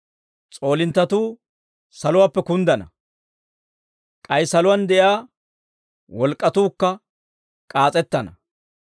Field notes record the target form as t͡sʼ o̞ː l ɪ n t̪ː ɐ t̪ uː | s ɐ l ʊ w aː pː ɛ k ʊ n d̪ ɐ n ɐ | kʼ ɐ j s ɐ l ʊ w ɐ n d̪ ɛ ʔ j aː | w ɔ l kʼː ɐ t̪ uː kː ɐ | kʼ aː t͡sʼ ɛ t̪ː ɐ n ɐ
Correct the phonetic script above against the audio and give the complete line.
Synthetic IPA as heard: t͡sʼ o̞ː l ɪ n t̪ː ɐ t̪ uː | s ɐ l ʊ w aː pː ɛ k ʊ n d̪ ɐ n ɐ | kʼ ɐ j s ɐ l ʊ w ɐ n d̪ ɛ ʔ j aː | w ɔ l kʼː ɐ t̪ uː kː ɐ | kʼ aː t͡sʼ ɛ t̪ː ɐ n ɐ